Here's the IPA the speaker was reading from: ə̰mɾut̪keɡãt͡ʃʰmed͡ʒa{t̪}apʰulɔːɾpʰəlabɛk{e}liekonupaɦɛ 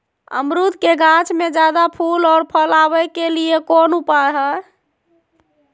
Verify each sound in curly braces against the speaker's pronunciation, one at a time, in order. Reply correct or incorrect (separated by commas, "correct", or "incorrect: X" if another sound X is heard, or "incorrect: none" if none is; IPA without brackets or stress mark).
incorrect: d̪, correct